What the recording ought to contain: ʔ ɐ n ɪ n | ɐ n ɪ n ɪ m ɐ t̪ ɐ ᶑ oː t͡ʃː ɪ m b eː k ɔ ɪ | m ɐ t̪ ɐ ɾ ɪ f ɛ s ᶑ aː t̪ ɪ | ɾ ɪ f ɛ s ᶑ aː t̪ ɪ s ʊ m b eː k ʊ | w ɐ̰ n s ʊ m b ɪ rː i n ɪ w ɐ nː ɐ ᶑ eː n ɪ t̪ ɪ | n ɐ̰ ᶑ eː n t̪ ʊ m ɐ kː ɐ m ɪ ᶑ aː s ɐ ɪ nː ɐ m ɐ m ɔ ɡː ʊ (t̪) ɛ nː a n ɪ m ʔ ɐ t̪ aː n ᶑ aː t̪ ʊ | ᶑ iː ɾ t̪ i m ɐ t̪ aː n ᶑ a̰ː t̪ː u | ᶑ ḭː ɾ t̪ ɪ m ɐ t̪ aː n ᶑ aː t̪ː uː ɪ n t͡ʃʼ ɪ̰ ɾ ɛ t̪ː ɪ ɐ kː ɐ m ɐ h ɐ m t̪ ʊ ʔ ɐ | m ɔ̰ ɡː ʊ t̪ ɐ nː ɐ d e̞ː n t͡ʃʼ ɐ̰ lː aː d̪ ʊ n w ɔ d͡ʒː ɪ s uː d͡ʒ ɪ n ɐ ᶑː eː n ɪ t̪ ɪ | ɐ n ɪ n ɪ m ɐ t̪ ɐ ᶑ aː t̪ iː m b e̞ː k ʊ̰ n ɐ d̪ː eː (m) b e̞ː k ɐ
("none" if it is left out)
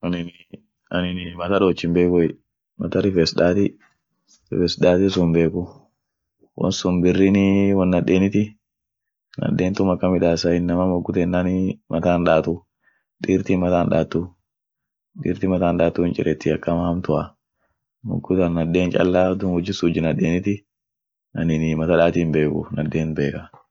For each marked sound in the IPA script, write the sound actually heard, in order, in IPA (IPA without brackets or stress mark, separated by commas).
t̪, n